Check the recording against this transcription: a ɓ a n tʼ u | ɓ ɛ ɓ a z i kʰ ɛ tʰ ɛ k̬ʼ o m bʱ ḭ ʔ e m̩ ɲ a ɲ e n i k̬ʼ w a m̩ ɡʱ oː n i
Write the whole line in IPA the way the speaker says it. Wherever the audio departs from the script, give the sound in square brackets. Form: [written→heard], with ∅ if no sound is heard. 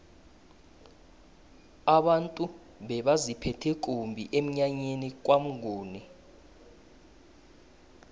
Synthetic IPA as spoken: a ɓ a n tʼ u | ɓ ɛ ɓ a z i [kʰ→pʰ] ɛ tʰ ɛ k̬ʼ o m bʱ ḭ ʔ e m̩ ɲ a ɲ e n i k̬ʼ w a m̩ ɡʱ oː n i